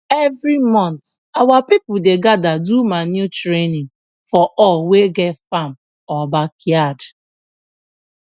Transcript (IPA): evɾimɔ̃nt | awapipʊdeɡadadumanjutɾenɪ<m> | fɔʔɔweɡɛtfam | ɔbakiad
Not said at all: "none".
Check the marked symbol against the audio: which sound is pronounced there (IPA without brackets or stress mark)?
ŋ